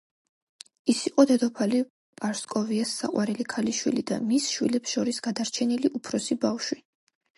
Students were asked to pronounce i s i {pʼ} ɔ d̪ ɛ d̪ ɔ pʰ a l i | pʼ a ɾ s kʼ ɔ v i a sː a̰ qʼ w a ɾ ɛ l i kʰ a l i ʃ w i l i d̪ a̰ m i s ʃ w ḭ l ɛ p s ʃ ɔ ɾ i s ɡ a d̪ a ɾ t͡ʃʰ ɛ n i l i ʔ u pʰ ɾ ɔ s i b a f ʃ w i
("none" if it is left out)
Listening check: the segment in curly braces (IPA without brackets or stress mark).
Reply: qʼ